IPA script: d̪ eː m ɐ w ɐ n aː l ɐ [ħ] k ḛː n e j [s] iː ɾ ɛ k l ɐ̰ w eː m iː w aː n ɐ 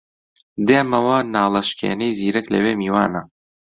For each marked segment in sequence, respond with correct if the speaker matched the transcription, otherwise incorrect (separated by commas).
incorrect, incorrect